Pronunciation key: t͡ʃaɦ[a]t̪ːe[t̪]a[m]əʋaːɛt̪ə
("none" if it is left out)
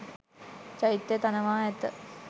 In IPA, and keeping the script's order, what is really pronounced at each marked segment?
i, t̪, n

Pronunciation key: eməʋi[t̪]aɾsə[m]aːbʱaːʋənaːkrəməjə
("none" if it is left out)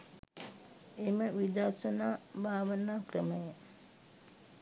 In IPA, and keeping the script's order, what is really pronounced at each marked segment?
d̪, n

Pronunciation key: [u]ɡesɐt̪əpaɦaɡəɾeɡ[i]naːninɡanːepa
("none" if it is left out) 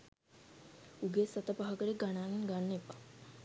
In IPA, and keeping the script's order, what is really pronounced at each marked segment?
u, a

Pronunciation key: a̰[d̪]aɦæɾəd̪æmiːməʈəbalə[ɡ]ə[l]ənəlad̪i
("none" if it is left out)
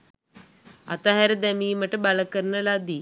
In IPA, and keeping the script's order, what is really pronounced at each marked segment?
t̪, k, ɾ

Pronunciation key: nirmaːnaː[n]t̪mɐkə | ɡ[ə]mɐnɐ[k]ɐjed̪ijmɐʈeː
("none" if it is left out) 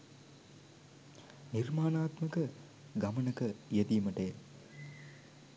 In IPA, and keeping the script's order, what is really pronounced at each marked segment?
none, ɐ, k

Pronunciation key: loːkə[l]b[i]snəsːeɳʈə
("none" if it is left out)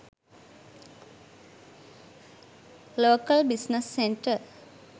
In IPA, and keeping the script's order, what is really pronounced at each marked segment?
l, i

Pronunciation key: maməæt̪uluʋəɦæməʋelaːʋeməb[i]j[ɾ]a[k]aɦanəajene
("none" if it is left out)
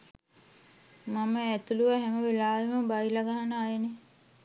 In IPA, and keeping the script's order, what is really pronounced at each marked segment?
a, l, ɡ

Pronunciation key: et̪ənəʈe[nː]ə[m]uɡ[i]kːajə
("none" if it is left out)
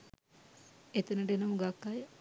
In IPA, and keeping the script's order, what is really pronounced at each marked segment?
n, m, a

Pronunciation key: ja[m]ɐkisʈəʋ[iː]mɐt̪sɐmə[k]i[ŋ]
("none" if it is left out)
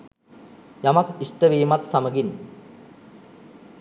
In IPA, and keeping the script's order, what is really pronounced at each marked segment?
m, iː, ɡ, n

